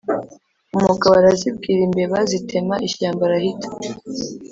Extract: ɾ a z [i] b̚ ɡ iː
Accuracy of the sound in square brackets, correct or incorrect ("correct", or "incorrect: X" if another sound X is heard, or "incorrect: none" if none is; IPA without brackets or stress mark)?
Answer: correct